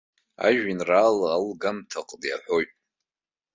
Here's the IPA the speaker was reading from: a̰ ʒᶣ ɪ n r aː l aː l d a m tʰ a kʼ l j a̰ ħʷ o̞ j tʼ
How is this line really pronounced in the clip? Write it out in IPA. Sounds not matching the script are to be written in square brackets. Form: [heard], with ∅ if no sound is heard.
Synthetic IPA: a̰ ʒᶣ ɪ n r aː l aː l [ɡ] a m tʰ a [qʼ] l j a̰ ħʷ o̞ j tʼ